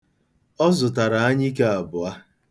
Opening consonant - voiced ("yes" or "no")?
yes